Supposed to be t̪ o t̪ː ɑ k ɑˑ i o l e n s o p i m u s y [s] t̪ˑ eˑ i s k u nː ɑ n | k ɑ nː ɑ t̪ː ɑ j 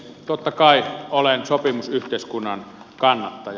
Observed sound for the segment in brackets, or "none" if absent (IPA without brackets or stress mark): h